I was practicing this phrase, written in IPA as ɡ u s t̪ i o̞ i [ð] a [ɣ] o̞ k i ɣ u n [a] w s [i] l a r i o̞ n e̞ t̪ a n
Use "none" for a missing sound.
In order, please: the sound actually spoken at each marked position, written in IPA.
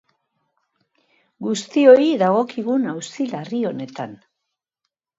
ð, ɣ, a, i

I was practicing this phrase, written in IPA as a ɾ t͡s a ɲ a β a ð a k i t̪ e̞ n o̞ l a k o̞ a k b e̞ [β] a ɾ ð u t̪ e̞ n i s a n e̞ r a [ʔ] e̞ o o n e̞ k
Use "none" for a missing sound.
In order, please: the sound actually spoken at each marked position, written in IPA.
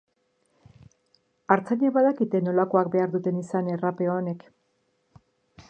none, p

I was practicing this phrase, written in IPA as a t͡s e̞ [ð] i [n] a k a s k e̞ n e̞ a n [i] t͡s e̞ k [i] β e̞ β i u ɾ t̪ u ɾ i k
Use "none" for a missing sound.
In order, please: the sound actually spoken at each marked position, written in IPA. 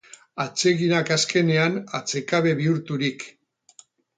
ɣ, n, a, a

